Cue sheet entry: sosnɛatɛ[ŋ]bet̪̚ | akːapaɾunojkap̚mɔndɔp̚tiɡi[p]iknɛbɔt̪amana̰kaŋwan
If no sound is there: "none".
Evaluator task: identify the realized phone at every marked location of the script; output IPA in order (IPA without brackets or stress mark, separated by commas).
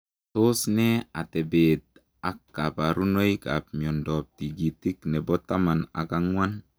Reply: none, t